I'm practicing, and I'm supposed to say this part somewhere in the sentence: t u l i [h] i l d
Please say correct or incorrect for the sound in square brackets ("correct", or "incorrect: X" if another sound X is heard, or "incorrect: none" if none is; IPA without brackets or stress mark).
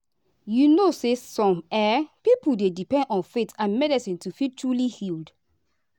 correct